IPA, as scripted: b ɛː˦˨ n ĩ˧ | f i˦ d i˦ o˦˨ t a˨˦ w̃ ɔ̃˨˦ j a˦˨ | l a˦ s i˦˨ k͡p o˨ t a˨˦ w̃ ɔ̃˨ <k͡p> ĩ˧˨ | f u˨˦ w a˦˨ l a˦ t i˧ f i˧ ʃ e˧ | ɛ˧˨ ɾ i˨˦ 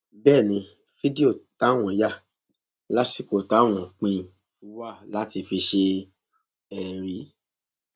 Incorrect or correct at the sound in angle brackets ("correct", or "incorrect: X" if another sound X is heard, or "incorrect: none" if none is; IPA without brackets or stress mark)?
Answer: correct